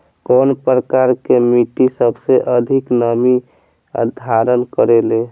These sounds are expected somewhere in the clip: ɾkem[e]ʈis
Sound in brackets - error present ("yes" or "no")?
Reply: yes